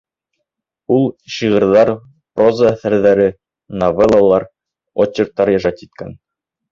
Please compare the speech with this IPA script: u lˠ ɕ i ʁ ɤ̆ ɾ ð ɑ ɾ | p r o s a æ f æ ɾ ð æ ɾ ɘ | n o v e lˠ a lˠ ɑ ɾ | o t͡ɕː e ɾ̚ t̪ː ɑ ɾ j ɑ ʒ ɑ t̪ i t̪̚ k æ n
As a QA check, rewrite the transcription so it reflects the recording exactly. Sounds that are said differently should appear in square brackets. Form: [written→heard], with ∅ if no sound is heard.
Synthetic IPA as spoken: u lˠ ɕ i ʁ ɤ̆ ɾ ð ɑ ɾ | p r o [s→z] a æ [f→θ] æ ɾ ð æ ɾ ɘ | n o v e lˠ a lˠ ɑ ɾ | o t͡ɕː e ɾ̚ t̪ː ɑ ɾ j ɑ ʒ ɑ t̪ i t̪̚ k æ n